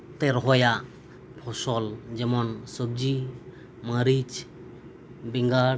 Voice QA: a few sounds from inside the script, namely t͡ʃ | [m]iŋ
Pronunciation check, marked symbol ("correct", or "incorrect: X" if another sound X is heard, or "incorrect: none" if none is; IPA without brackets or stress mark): incorrect: b